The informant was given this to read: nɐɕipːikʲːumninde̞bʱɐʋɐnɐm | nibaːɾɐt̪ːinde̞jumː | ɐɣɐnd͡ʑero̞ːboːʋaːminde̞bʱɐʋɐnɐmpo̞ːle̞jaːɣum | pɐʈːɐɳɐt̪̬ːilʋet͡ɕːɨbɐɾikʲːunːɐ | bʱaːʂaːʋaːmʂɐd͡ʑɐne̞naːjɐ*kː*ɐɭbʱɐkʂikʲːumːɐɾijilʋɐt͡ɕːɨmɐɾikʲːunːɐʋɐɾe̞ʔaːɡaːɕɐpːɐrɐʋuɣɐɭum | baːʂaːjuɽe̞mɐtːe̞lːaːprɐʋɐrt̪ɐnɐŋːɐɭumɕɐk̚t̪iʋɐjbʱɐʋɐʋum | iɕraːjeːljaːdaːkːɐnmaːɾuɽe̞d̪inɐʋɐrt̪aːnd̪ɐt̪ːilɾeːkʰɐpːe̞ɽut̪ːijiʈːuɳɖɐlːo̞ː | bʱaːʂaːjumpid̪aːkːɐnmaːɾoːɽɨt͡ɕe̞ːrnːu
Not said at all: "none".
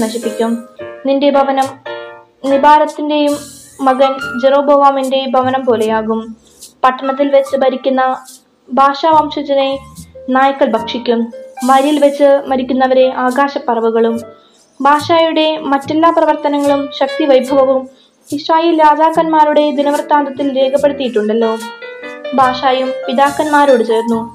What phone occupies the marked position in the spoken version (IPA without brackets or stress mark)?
kː